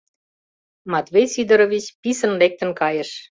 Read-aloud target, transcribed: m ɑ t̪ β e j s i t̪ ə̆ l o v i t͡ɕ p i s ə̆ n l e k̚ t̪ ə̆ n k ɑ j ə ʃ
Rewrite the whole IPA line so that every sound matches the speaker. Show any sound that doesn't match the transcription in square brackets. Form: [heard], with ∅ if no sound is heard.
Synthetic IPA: m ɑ t̪ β e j s i [d̪] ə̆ [ɾ] o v i t͡ɕ p i s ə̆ n l e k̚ t̪ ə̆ n k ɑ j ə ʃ